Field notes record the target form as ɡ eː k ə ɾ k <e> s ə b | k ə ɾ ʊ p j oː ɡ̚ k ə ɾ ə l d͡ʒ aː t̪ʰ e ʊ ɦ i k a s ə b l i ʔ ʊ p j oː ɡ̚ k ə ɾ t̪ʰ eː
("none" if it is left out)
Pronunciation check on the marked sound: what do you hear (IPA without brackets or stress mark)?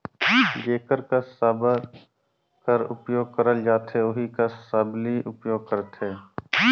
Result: a